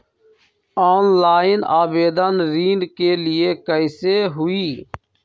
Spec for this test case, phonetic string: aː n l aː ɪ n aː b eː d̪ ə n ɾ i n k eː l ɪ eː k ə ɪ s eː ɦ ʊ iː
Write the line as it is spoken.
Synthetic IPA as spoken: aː n l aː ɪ n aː b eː d̪ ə n ɾ iː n k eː l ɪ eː k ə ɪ s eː ɦ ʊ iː